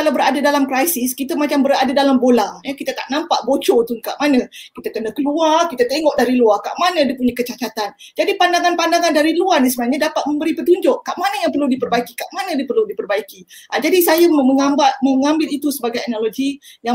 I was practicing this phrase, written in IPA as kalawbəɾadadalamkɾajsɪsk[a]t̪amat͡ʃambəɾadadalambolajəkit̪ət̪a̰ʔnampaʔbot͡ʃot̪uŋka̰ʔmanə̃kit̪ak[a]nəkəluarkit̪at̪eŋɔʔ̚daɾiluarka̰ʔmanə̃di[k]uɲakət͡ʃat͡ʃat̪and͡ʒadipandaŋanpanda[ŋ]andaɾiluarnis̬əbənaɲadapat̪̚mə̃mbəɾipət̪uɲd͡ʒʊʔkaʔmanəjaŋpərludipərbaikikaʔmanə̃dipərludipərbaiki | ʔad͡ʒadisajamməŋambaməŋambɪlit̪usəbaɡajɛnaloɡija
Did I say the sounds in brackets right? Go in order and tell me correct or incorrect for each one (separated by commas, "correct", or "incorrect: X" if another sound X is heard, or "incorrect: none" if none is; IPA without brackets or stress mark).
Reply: incorrect: i, incorrect: ə, incorrect: p, correct